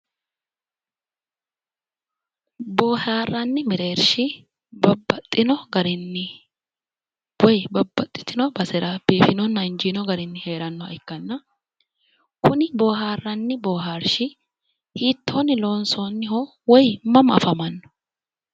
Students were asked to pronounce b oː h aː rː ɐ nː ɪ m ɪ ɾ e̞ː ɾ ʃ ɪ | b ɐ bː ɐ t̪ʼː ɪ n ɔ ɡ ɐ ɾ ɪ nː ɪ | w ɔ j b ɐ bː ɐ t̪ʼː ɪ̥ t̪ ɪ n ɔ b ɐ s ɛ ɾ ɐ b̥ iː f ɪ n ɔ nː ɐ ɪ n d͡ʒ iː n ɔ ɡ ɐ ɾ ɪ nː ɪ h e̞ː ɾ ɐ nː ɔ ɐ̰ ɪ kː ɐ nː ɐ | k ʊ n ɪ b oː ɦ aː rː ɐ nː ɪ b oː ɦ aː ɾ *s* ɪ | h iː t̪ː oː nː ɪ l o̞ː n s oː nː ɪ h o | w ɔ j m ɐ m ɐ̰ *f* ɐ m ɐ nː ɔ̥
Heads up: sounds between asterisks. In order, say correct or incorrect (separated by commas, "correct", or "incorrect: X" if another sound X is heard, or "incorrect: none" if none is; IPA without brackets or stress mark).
incorrect: ʃ, correct